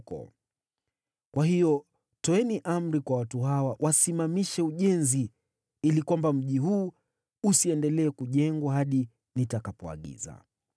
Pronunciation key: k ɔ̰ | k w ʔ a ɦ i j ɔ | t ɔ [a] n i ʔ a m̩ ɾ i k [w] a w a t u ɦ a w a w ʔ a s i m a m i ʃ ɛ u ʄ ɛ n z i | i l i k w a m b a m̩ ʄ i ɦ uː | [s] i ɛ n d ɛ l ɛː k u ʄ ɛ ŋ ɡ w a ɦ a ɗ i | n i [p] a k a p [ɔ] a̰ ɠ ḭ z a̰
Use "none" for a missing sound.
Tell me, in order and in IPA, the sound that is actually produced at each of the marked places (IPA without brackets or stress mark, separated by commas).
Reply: ɛ, w, s, t, ɔ